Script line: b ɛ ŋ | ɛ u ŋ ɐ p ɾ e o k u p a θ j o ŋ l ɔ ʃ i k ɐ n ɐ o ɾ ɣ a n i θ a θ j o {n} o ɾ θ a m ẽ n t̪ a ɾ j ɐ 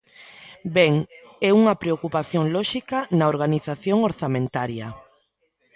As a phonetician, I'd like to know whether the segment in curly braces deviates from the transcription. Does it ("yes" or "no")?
yes